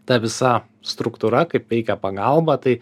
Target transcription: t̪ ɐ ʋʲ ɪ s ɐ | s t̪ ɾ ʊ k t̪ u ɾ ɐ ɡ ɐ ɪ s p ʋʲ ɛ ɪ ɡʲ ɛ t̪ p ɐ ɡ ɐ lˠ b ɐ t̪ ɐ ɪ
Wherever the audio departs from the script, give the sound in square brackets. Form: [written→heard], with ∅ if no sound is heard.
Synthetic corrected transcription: t̪ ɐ ʋʲ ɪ s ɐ | s t̪ ɾ ʊ k t̪ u ɾ ɐ [ɡ→k] ɐ ɪ [s→∅] p ʋʲ ɛ ɪ [ɡʲ→kʲ] ɛ [t̪→∅] p ɐ ɡ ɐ lˠ b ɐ t̪ ɐ ɪ